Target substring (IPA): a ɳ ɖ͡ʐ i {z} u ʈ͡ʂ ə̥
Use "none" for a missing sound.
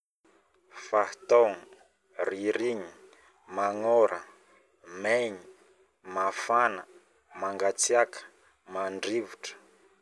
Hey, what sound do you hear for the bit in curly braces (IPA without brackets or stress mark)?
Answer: v